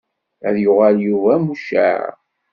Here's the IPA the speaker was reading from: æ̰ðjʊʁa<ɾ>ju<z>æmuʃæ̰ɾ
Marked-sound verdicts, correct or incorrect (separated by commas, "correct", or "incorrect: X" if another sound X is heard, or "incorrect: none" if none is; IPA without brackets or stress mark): incorrect: l, incorrect: v